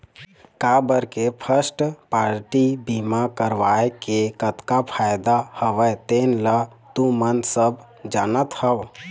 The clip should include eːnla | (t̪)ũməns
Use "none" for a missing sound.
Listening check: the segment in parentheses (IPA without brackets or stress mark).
t̪